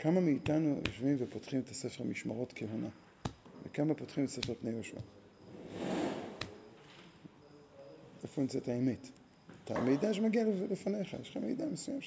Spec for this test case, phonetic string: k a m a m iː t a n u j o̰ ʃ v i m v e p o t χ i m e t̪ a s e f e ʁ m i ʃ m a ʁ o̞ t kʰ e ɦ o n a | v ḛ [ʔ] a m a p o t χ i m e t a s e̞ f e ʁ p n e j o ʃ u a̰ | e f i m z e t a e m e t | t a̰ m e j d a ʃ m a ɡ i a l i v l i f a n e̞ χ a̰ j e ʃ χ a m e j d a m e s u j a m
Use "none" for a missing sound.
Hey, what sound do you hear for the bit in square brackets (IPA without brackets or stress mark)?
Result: k